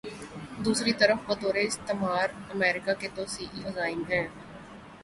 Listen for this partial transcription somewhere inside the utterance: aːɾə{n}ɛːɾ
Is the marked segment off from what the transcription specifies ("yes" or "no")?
yes